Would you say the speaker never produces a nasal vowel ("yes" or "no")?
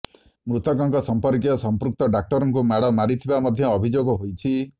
yes